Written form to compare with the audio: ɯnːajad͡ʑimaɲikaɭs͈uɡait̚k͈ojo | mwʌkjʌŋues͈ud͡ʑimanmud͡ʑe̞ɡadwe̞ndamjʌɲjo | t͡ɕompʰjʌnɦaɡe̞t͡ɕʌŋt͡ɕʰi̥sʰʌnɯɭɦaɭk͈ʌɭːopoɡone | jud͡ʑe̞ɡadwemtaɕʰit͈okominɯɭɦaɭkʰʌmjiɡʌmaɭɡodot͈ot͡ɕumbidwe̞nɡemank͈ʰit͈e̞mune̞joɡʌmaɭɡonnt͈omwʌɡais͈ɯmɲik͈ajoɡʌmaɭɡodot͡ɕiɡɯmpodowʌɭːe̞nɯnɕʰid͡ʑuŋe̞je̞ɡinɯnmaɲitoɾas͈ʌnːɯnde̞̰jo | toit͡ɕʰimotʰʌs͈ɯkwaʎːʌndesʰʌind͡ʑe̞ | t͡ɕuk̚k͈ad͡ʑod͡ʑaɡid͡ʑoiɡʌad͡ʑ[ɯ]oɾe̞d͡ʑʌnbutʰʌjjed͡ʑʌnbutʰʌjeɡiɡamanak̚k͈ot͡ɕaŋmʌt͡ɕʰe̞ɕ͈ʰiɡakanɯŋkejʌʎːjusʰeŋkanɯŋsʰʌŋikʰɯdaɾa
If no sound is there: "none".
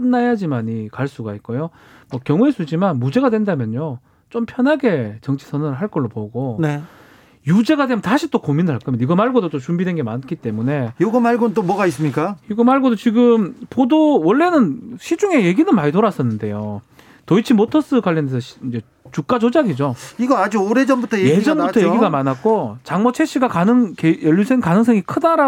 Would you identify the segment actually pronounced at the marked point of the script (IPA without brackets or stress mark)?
u